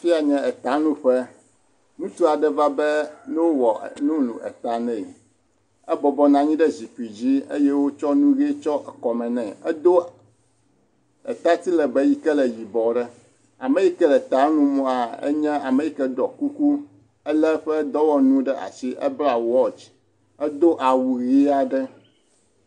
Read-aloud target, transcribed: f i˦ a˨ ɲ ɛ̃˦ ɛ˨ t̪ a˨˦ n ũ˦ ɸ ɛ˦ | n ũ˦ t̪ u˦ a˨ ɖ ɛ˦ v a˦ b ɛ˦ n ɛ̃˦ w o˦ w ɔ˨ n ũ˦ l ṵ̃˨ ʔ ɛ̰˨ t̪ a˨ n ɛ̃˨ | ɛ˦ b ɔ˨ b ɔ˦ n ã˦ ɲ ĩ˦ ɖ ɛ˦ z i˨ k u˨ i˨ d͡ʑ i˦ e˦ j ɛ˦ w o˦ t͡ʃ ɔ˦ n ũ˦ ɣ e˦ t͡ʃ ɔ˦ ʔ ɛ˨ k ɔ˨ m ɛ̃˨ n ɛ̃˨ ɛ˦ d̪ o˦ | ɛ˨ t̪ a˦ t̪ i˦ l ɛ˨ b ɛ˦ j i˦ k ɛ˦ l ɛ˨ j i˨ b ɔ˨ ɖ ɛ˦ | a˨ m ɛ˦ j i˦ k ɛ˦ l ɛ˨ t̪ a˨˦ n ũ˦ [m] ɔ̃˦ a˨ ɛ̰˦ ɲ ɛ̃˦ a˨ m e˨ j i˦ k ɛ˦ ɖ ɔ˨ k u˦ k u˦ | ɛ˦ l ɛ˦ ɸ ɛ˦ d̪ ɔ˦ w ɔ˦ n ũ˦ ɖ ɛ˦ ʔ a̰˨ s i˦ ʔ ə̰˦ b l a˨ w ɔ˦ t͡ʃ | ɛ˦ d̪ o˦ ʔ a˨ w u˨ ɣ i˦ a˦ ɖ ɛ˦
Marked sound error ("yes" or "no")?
no